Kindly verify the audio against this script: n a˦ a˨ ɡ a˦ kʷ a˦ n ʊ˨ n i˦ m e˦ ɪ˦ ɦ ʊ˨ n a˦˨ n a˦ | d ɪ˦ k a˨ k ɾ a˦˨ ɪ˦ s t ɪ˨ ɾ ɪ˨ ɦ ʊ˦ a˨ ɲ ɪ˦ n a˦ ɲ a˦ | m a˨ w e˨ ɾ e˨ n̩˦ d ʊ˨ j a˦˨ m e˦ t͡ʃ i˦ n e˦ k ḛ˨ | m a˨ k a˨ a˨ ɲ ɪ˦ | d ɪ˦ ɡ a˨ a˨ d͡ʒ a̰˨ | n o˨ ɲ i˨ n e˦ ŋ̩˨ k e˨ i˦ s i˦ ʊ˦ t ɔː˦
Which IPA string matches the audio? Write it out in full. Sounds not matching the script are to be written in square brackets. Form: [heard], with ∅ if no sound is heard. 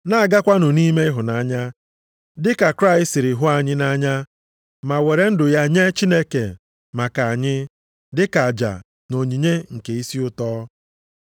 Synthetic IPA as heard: n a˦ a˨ ɡ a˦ kʷ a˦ n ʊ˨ n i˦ m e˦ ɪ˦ ɦ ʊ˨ n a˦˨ [ɲ] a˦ | d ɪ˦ k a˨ k ɾ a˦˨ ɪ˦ s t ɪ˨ ɾ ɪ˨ ɦ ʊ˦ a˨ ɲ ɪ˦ n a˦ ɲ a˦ | m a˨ w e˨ ɾ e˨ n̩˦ d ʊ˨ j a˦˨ [ɲ] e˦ t͡ʃ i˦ n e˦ k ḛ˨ | m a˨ k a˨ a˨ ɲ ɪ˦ | d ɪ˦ [k] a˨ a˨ d͡ʒ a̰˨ | n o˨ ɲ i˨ [ɲ] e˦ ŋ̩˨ k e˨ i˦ s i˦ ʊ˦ t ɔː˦